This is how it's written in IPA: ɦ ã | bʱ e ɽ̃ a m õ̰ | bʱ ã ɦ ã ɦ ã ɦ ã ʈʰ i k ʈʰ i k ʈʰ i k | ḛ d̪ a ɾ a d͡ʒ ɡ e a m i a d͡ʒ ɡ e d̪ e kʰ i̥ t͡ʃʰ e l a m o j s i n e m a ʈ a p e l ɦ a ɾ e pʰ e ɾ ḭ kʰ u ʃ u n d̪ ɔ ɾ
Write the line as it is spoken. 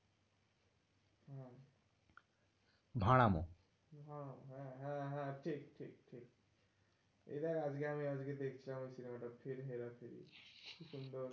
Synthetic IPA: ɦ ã | bʱ a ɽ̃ a m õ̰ | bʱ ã ɦ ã ɦ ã ɦ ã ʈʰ i k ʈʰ i k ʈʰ i k | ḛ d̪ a ɾ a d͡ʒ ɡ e a m i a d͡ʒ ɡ e d̪ e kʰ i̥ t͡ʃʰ i l a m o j s i n e m a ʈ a pʰ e ɾ ɦ e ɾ a pʰ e ɾ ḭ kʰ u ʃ u n d̪ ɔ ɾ